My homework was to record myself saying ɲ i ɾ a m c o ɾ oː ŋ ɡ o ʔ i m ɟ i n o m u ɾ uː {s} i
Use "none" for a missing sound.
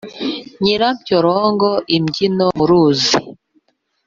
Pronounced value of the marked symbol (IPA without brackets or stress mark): z